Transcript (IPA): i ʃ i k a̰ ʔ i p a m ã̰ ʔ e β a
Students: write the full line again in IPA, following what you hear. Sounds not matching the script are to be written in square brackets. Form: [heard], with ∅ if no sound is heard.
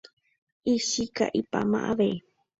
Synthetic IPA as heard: i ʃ i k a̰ ʔ i p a m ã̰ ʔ [a] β [e]